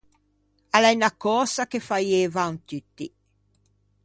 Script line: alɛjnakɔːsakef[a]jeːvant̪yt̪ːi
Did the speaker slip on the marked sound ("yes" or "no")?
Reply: no